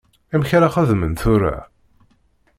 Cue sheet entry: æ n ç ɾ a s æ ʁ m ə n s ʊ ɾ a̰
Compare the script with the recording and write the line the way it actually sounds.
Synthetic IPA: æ m ç ɾ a χ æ ð m ə n θ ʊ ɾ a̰